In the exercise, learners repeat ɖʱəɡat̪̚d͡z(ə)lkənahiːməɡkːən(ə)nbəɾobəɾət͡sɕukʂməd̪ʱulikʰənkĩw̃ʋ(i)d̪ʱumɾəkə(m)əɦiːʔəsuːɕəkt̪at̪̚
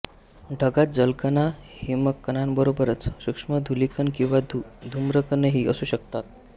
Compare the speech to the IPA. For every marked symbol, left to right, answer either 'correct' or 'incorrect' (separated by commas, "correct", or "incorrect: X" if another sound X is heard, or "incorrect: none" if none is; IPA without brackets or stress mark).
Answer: correct, incorrect: a, incorrect: a, incorrect: n